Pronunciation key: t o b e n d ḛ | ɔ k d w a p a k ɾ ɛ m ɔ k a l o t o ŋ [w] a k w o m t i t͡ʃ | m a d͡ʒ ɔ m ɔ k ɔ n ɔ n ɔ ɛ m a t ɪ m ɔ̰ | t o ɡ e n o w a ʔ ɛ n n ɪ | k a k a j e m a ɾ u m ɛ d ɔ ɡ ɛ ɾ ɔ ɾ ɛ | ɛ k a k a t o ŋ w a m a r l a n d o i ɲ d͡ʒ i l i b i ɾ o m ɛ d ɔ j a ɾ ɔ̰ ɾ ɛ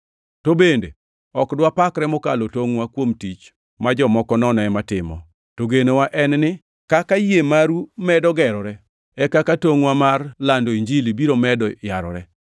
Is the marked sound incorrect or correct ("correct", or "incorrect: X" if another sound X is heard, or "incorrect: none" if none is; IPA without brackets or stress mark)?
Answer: correct